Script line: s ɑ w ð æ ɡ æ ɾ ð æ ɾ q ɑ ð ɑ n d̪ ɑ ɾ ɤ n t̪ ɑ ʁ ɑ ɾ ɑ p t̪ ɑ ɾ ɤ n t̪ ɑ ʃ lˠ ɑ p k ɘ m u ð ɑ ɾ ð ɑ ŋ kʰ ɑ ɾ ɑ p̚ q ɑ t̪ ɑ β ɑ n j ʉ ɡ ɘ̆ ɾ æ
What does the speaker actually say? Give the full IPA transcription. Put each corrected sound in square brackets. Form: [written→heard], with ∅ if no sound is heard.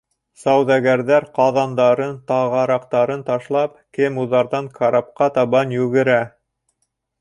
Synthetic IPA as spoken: s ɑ w ð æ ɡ æ ɾ ð æ ɾ q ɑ ð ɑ n d̪ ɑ ɾ ɤ n t̪ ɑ ʁ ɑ ɾ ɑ [p→q] t̪ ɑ ɾ ɤ n t̪ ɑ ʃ lˠ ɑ p k ɘ m u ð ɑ ɾ ð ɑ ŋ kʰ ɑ ɾ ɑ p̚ q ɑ t̪ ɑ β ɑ n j ʉ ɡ ɘ̆ ɾ æ